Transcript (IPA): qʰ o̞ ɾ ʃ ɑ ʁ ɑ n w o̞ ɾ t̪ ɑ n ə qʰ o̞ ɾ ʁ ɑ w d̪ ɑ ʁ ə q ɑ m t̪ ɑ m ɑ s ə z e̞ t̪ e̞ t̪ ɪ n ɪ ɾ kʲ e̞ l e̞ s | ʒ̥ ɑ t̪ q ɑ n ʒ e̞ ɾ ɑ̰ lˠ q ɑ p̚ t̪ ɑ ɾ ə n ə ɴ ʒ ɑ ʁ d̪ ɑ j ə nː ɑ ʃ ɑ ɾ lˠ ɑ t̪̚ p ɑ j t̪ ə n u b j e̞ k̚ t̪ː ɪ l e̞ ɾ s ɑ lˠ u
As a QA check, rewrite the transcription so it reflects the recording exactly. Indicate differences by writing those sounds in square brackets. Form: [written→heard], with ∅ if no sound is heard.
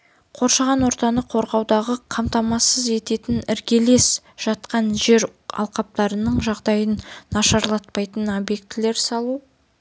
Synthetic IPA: qʰ o̞ ɾ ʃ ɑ ʁ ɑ n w o̞ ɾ t̪ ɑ n ə qʰ o̞ ɾ ʁ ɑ w d̪ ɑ ʁ ə [q→qʰ] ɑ m t̪ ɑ m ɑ s ə z e̞ t̪ e̞ t̪ ɪ n ɪ ɾ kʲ e̞ l e̞ s | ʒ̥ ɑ t̪ q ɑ n ʒ e̞ ɾ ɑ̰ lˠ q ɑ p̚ t̪ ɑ ɾ ə n ə ɴ ʒ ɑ ʁ d̪ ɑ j ə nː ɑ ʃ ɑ ɾ lˠ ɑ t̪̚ p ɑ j t̪ ə n [u→o] b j e̞ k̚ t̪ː ɪ l e̞ ɾ s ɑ lˠ u